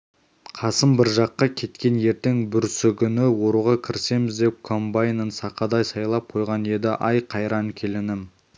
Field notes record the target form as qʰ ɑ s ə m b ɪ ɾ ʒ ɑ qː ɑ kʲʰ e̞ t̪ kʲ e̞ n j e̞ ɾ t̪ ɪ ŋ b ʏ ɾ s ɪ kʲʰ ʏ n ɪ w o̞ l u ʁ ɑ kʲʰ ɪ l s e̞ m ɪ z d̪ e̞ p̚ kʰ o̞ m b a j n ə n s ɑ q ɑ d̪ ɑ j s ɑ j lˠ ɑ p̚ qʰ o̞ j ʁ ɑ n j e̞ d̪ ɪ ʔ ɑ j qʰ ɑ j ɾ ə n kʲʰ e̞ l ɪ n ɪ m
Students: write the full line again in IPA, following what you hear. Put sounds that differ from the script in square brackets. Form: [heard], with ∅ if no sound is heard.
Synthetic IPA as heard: qʰ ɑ s ə m b ɪ ɾ ʒ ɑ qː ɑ kʲʰ e̞ t̪ kʲ e̞ n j e̞ ɾ t̪ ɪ ŋ b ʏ ɾ s ɪ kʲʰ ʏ n ɪ w o̞ [ɾ] u ʁ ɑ kʲʰ ɪ [ɾ] s e̞ m ɪ z d̪ e̞ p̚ kʰ o̞ m b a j n ə n s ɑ q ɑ d̪ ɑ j s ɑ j lˠ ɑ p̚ qʰ o̞ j ʁ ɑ n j e̞ d̪ ɪ ʔ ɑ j qʰ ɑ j ɾ [ɑ] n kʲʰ e̞ l ɪ n ɪ m